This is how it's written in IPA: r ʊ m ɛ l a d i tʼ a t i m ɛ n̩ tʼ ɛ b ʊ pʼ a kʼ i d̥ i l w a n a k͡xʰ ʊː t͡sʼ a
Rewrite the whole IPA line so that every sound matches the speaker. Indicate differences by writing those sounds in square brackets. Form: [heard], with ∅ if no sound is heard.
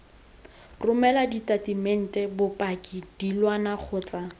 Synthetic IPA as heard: r ʊ m ɛ l a d i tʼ a t i m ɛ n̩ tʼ ɛ b ʊ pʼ a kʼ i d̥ i l w a n a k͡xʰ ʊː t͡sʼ a